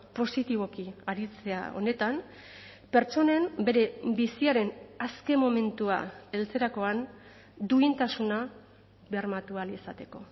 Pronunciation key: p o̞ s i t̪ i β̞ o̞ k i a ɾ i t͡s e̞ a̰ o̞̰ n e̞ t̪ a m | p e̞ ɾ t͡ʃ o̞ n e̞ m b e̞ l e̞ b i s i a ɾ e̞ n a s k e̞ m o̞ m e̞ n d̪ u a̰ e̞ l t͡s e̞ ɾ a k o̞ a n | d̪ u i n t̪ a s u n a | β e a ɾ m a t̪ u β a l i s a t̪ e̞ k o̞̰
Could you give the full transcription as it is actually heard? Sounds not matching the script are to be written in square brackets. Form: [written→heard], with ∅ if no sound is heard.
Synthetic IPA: p o̞ s i t̪ i β̞ o̞ k i a ɾ i t͡s e̞ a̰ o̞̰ n e̞ t̪ a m | p e̞ ɾ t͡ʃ o̞ n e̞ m b e̞ [l→ɾ] e̞ b i s i a ɾ e̞ n a s k e̞ m o̞ m e̞ n [d̪→t̪] u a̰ e̞ l t͡s e̞ ɾ a k o̞ a n | d̪ u i n t̪ a s u n a | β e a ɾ m a t̪ u [β→∅] a l i s a t̪ e̞ k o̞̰